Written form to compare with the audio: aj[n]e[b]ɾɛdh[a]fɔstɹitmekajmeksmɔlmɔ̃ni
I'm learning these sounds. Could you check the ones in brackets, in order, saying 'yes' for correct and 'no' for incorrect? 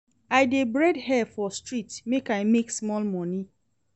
no, yes, no

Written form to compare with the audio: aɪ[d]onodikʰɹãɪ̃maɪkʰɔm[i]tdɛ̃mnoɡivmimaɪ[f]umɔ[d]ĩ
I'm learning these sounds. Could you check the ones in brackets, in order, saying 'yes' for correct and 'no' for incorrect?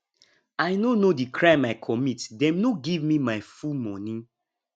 no, yes, yes, no

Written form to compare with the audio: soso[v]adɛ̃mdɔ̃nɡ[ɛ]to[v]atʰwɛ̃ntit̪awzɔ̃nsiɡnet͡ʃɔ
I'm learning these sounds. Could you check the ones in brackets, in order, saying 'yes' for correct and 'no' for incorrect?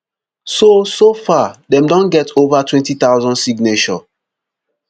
no, yes, yes

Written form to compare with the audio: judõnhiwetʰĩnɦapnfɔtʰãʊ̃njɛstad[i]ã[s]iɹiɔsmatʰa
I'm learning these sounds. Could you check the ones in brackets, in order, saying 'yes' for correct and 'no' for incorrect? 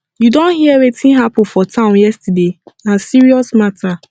no, yes

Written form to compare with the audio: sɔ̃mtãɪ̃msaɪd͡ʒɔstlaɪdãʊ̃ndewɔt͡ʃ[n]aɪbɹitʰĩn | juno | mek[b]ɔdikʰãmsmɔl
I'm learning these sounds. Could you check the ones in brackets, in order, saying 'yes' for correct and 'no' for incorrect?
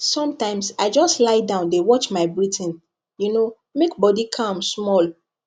no, yes

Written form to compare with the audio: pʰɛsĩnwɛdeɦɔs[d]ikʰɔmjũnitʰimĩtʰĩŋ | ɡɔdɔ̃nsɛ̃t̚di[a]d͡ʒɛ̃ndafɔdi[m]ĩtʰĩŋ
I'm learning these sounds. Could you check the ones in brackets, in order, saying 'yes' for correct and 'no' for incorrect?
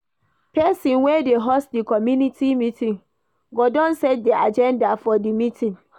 yes, yes, yes

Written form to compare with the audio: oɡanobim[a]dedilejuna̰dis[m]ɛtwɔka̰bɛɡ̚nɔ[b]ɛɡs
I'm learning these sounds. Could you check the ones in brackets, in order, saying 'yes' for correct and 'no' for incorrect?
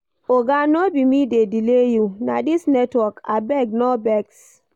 no, no, yes

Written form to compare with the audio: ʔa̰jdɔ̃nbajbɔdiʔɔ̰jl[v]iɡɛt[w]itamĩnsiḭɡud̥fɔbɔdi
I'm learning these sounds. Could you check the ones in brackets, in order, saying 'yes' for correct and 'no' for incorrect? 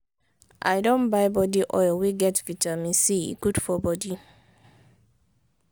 no, no

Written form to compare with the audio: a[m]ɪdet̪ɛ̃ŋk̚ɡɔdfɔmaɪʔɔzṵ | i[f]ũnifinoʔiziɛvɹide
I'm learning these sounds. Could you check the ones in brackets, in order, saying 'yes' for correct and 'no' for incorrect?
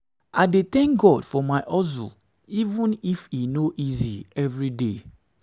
no, no

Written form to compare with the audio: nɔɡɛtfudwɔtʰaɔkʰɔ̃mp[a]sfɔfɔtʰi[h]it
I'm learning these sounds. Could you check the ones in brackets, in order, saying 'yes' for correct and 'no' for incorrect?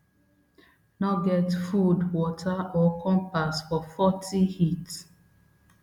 yes, yes

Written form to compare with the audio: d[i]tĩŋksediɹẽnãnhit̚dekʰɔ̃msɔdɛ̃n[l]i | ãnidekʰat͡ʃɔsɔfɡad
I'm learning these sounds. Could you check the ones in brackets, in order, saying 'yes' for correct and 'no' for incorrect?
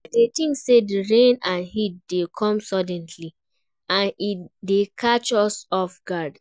no, yes

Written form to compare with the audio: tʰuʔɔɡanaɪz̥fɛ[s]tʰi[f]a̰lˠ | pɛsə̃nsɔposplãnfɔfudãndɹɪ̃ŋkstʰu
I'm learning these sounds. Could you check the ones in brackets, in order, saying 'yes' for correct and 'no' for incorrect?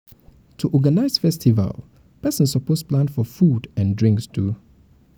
yes, no

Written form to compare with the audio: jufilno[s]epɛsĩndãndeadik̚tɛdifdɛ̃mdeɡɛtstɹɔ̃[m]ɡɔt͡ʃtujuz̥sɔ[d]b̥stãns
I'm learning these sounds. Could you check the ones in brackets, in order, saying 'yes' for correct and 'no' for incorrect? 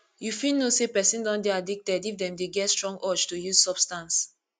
yes, no, no

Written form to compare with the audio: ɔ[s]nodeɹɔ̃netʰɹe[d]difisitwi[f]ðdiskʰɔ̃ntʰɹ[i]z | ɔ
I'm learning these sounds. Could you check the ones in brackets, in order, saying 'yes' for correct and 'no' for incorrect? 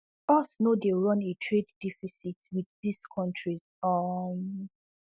yes, yes, no, yes

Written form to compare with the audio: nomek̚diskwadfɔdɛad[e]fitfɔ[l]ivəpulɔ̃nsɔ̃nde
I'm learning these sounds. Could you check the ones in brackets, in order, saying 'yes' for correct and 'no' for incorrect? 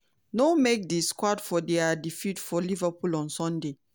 no, yes

